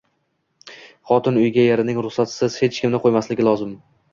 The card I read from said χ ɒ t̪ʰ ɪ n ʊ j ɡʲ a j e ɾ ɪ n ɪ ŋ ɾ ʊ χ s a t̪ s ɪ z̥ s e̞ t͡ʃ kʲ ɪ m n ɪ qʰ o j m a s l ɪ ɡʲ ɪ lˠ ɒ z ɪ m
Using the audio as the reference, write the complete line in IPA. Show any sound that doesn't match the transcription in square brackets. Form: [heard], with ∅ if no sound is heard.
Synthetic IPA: χ ɒ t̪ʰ ɪ n ʊ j ɡʲ a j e ɾ ɪ n ɪ ŋ ɾ ʊ χ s a t̪ s ɪ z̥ [h] e̞ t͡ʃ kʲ ɪ m n ɪ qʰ o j m a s l ɪ ɡʲ ɪ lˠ ɒ z ɪ m